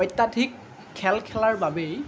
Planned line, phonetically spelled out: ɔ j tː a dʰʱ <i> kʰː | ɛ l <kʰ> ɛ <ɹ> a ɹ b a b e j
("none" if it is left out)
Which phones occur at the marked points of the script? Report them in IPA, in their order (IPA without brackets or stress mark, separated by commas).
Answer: i, kʰ, l